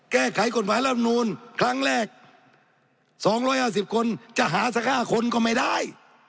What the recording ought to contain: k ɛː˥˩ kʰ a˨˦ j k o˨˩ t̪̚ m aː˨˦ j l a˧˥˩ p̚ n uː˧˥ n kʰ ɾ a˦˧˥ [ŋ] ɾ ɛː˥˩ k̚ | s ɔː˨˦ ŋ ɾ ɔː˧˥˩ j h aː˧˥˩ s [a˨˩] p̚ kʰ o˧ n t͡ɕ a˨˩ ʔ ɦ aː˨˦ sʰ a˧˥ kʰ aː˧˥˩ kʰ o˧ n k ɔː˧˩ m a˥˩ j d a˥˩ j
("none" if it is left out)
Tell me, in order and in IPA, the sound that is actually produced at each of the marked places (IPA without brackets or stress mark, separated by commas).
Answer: ŋ, i˨˩